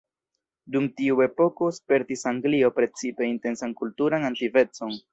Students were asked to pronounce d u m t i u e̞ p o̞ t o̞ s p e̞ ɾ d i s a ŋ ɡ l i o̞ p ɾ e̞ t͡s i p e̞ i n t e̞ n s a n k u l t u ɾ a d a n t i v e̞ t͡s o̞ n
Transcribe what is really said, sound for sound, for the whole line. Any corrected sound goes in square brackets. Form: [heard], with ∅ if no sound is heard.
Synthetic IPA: d u m t i u e̞ p o̞ [k] o̞ s p e̞ ɾ [t] i s a ŋ ɡ l i o̞ p ɾ e̞ t͡s i p e̞ i n t e̞ n s a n k u l t u ɾ a [n] a n t i v e̞ t͡s o̞ n